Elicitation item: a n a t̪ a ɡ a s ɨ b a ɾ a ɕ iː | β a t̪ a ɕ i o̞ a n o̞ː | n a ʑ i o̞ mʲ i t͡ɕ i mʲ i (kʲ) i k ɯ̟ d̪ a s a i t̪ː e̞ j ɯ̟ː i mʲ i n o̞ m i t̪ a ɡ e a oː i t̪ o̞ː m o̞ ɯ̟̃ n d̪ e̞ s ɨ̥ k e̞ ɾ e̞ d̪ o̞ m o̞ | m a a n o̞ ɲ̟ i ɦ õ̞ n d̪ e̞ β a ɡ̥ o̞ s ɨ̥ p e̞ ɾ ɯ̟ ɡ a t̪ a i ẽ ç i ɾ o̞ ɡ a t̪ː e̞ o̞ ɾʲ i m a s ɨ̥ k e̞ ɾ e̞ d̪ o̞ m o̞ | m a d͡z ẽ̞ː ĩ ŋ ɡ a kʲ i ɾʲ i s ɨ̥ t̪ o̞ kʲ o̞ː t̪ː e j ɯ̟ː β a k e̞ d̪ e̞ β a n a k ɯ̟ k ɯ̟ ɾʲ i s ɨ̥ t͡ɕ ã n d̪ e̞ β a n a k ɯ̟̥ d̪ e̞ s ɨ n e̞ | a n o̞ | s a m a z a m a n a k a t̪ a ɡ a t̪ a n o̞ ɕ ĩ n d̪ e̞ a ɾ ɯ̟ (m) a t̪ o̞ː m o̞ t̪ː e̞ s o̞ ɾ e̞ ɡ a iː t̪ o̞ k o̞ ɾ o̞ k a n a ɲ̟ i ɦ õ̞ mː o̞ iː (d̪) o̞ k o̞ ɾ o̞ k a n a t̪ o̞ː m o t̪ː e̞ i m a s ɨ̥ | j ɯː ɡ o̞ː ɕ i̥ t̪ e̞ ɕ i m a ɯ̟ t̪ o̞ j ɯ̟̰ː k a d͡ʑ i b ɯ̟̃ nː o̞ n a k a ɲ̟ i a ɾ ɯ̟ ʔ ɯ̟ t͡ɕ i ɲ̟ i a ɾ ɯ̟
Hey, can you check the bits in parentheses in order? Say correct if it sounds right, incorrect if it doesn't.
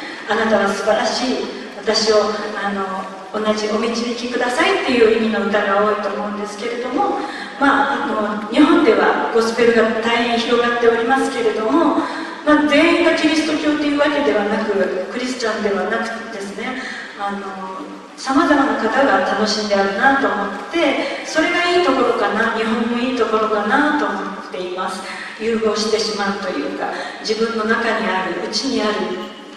correct, incorrect: n, incorrect: t̪

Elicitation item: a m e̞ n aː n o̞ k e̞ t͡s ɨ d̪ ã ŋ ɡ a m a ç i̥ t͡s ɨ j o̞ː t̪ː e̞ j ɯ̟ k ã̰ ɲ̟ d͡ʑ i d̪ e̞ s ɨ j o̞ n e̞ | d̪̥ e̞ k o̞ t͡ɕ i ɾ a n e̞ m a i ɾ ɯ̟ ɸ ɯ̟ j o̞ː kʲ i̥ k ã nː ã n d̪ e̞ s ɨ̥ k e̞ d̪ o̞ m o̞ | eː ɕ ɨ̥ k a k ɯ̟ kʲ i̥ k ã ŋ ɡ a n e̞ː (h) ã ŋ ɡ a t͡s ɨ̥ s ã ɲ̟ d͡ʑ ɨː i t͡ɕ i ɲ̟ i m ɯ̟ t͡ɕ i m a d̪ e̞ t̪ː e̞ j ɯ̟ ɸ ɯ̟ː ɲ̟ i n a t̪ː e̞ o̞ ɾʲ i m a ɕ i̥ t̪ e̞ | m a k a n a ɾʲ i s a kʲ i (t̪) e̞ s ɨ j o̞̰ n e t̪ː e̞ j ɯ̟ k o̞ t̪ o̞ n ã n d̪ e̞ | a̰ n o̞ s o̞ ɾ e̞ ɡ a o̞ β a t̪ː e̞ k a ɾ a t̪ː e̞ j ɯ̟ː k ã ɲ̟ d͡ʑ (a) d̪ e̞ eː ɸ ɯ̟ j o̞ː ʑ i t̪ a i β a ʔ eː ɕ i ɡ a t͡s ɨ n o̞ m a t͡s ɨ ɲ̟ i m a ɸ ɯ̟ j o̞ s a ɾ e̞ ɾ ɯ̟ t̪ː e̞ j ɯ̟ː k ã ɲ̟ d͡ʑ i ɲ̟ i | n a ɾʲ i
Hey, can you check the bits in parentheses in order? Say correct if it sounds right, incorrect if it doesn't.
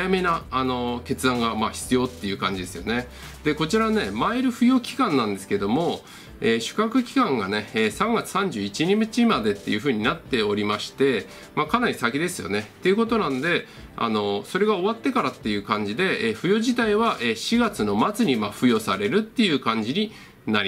incorrect: s, incorrect: d̪, incorrect: i

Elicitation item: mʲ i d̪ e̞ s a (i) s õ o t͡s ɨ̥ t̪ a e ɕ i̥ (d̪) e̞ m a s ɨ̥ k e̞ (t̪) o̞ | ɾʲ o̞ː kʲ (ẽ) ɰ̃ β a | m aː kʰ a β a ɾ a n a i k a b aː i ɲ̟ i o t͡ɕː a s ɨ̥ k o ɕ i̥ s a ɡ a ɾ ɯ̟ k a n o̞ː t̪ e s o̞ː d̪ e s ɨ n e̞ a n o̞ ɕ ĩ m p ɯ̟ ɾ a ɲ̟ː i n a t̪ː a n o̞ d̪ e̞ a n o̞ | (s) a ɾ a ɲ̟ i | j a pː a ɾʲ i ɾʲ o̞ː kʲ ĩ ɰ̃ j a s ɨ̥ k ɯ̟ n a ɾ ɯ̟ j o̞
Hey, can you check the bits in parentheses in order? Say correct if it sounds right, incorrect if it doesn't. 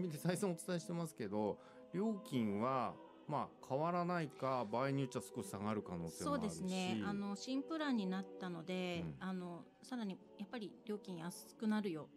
correct, incorrect: t̪, incorrect: d̪, incorrect: ĩ, correct

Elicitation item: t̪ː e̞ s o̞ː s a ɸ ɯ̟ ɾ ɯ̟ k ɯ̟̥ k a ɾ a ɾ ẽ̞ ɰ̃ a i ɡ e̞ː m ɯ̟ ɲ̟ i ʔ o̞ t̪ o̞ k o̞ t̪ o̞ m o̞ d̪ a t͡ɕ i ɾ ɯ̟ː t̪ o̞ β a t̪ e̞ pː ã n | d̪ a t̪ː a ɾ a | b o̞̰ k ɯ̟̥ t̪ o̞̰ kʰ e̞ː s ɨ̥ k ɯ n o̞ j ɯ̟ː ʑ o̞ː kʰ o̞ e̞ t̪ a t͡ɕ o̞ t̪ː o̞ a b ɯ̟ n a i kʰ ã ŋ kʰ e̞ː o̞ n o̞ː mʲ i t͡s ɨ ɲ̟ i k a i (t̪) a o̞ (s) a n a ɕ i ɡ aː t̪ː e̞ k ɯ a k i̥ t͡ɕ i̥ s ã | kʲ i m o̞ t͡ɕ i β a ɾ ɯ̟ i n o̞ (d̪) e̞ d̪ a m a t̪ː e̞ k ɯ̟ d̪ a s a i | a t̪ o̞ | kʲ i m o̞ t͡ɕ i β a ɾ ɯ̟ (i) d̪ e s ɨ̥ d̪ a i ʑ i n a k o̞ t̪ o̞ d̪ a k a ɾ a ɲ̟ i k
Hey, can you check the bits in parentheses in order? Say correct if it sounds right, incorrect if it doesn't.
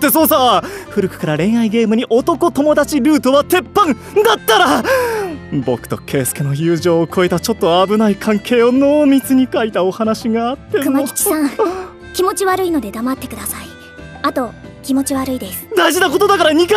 correct, incorrect: h, correct, correct

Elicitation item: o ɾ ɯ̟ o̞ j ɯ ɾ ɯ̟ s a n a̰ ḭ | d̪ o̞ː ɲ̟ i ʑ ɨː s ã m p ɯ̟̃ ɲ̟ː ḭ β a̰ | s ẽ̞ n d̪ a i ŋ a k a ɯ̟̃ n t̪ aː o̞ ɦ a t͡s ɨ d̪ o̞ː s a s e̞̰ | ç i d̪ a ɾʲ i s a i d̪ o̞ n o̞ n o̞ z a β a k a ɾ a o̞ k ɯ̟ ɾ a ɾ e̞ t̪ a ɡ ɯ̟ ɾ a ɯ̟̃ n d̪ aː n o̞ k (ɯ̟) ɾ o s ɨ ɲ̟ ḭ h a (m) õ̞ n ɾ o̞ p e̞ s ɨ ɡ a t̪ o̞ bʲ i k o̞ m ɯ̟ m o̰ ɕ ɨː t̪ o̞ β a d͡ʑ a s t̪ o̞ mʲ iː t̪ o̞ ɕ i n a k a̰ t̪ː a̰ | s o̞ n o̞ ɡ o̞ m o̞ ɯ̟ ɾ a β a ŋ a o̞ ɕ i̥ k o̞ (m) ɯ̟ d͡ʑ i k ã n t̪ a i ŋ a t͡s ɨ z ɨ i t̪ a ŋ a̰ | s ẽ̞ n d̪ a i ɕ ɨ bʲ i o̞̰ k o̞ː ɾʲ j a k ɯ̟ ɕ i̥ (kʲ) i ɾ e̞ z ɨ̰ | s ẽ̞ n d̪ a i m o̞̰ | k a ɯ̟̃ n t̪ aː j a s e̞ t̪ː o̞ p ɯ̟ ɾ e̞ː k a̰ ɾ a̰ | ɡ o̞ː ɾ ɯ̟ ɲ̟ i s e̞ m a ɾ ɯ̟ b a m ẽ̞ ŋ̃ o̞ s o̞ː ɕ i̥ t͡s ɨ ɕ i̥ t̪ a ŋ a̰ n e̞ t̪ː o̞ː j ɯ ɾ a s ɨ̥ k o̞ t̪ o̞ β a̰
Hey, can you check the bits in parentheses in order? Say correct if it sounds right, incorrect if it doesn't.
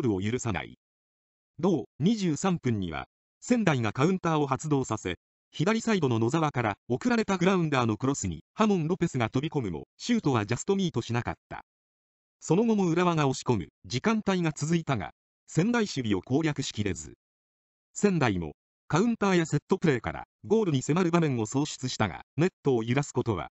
correct, correct, correct, correct

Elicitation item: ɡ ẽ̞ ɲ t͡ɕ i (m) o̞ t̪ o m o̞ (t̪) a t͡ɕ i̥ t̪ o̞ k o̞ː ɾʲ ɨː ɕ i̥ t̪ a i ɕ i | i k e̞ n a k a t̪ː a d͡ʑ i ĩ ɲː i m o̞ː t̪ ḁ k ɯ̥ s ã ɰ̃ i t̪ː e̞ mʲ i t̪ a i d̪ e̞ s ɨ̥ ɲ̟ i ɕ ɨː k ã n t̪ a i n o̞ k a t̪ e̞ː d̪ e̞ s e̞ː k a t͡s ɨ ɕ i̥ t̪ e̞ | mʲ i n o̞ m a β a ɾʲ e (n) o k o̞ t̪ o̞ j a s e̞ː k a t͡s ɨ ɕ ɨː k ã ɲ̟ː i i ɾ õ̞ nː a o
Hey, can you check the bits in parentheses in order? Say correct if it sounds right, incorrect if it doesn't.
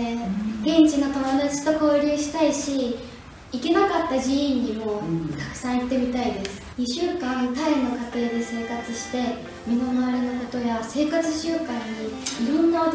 incorrect: n, incorrect: d̪, correct

